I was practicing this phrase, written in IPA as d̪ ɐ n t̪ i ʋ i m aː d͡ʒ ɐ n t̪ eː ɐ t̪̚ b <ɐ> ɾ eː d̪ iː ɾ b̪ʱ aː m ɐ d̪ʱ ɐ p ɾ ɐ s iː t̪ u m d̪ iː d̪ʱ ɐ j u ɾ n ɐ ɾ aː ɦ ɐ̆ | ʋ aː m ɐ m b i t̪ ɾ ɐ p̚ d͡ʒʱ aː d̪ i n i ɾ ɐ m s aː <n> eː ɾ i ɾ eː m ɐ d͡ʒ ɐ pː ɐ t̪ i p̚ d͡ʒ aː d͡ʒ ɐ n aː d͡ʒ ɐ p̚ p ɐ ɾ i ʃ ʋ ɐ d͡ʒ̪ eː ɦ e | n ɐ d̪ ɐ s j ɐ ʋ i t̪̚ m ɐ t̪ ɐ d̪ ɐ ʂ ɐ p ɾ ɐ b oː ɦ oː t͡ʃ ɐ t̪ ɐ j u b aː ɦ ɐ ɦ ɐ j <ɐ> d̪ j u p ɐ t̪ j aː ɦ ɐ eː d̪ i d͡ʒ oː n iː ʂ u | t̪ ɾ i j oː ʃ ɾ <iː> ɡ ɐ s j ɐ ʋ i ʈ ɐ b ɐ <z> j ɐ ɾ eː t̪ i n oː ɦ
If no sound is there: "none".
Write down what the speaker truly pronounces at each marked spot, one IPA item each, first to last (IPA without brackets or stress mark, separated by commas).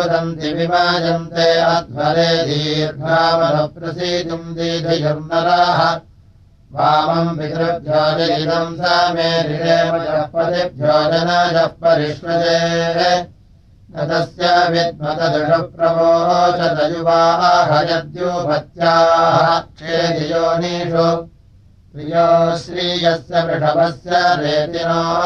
ɐ, m, ɐ, iː, s